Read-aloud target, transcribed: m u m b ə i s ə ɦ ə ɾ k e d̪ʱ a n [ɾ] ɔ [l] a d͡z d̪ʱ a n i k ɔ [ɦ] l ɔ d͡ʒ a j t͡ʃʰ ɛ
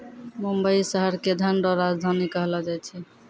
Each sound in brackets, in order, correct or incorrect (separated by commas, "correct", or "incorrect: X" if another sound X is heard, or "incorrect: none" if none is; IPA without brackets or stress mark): correct, incorrect: ɾ, correct